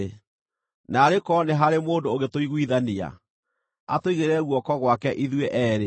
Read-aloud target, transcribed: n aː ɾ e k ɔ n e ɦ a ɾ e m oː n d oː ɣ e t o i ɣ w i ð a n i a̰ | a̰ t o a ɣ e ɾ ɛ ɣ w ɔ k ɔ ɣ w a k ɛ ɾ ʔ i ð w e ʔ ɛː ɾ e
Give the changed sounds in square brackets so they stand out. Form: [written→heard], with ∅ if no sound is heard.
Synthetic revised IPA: n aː ɾ e k ɔ n e ɦ a ɾ e m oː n d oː ɣ e t o i ɣ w i ð a n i a̰ | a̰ t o [a→i] ɣ e ɾ ɛ ɣ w ɔ k ɔ ɣ w a k ɛ [ɾ→∅] ʔ i ð w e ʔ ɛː ɾ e